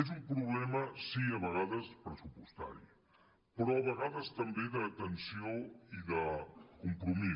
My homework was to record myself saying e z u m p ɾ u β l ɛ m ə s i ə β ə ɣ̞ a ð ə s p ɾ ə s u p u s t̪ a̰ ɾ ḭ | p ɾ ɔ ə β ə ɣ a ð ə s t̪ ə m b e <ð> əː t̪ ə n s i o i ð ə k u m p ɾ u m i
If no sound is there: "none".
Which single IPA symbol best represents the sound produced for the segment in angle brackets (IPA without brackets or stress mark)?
ð